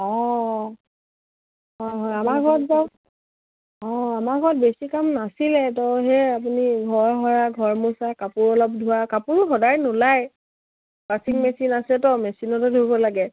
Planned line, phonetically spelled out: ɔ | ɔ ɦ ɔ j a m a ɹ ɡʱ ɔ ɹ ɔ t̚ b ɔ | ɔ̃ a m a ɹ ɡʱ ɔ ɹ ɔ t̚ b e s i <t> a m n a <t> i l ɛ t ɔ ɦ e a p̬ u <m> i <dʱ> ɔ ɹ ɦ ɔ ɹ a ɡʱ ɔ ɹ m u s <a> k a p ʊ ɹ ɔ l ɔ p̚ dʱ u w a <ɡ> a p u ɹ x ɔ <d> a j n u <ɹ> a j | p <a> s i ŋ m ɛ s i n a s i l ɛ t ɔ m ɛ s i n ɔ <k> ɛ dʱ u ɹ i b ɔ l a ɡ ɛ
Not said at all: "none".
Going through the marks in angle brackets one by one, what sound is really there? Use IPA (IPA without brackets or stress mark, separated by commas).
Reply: k, s, n, ɡʱ, a, k, d, l, a, t